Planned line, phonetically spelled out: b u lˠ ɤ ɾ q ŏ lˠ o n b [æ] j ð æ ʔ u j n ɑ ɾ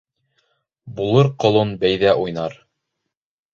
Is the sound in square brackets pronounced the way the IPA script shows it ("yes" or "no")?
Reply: yes